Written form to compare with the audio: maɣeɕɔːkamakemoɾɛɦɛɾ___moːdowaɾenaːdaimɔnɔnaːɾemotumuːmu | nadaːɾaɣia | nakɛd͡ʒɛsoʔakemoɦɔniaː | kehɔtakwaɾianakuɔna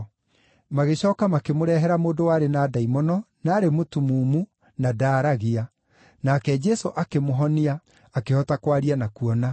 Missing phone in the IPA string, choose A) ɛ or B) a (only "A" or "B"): B